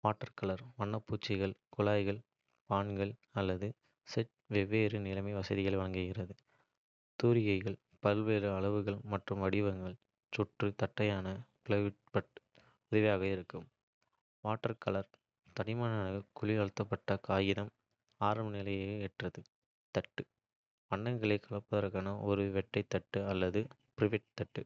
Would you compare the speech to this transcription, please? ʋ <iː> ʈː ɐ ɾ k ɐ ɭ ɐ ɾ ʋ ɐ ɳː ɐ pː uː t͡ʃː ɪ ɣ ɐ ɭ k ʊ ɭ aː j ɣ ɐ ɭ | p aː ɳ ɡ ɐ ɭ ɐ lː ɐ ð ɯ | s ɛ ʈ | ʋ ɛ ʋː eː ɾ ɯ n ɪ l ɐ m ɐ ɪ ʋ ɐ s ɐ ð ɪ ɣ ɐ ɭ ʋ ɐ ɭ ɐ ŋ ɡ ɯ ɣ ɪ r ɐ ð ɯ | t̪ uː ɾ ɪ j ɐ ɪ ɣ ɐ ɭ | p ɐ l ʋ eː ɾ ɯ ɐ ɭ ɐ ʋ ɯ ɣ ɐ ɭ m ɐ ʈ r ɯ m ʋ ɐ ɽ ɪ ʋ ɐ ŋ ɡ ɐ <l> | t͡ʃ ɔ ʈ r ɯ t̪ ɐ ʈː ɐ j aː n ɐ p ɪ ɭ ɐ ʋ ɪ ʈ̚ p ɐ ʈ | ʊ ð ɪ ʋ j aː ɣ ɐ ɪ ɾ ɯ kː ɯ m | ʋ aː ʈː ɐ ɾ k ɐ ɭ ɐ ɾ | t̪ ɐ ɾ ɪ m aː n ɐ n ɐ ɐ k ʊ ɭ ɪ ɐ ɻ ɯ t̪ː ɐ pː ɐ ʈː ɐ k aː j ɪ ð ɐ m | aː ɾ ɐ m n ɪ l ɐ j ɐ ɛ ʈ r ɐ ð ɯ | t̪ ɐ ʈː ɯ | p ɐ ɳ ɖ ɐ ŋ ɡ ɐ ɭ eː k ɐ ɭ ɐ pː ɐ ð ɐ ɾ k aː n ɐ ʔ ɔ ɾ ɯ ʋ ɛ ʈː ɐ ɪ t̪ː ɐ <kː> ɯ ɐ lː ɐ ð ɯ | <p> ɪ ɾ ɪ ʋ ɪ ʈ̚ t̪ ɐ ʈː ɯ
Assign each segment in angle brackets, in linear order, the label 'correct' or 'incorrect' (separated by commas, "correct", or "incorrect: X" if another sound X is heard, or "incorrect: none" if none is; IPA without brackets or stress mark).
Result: incorrect: aː, incorrect: ɭ, incorrect: ʈː, correct